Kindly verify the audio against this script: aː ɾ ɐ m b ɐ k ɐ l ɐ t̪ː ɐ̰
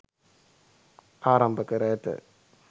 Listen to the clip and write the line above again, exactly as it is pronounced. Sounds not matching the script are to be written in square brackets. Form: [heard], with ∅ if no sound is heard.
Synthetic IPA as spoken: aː ɾ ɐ m b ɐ k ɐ [ɾ] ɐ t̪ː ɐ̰